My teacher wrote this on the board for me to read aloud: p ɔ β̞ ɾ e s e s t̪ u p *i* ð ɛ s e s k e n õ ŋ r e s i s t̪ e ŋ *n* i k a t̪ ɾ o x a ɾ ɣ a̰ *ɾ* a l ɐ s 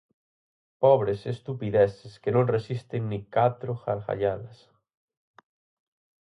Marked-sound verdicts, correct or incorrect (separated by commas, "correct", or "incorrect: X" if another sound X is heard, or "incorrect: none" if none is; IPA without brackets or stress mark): correct, correct, incorrect: ʎ